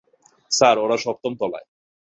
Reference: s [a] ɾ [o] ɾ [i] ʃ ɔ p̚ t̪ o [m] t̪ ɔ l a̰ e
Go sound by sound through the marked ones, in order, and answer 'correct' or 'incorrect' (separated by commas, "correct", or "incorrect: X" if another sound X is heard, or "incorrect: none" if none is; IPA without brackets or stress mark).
correct, correct, incorrect: a, correct